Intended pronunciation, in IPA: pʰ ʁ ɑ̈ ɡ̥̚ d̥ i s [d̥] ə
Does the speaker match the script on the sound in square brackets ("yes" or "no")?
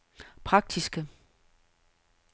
no